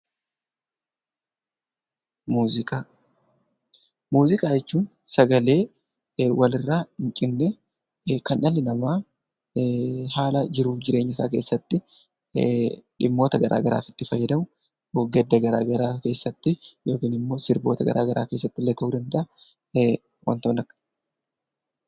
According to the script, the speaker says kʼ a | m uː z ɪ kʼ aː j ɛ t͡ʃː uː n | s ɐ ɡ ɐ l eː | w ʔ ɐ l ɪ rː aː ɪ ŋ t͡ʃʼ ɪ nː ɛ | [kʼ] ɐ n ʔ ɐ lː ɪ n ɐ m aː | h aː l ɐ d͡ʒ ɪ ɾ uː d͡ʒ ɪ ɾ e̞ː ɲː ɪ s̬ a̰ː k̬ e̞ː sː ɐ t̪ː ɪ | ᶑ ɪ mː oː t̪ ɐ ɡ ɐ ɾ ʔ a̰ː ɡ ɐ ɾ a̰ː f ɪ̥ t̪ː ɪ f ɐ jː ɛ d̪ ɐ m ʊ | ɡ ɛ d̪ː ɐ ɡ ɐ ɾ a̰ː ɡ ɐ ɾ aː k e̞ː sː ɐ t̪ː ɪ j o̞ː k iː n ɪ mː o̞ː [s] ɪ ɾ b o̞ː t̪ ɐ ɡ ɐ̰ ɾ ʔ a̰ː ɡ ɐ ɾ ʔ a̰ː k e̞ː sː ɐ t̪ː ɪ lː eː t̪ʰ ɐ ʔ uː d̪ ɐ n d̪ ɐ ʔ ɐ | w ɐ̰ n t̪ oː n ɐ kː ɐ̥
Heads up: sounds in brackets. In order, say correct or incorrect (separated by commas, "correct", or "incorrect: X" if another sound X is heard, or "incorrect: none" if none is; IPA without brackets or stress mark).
incorrect: k, correct